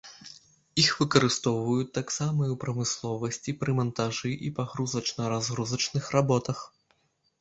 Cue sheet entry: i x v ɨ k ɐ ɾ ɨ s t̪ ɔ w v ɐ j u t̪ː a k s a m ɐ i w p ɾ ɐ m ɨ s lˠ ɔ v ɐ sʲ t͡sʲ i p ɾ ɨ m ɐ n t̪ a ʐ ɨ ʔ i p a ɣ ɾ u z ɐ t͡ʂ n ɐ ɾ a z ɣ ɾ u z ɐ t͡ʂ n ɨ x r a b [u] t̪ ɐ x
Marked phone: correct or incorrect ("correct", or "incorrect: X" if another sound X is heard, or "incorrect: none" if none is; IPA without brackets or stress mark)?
incorrect: ɔ